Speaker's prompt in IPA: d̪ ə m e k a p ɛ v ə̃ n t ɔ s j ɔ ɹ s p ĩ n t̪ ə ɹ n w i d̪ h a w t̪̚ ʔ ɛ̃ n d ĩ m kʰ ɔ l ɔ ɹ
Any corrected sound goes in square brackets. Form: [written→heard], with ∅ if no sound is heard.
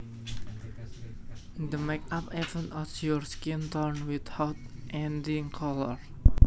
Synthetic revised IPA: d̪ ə m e k a p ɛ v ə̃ n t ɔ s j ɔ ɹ s [p→k] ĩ n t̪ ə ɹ n w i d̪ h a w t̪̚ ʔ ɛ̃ n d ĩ [m→ŋ] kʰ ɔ l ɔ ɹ